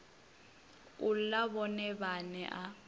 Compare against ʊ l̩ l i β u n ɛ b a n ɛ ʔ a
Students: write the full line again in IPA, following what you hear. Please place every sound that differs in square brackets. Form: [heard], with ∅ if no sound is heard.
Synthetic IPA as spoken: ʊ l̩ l [a] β [ɔ] n ɛ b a n ɛ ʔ a